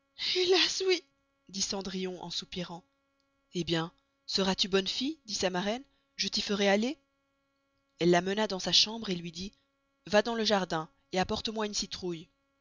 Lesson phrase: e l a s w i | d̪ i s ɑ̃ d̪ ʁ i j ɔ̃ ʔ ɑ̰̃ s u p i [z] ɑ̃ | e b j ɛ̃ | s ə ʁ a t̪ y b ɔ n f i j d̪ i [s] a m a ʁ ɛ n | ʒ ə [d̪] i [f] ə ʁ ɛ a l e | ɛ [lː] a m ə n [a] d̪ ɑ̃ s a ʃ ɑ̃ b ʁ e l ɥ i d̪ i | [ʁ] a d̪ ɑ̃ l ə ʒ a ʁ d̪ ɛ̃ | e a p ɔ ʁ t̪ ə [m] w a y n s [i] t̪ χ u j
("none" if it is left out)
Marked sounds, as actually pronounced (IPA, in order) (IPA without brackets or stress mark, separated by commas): ʁ, s, t̪, f, lː, a, v, m, i